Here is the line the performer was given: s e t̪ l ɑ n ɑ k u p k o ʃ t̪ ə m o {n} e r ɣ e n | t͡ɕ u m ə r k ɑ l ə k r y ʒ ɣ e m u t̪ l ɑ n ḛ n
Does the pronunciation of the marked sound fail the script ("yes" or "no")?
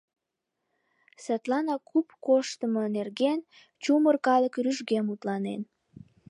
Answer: no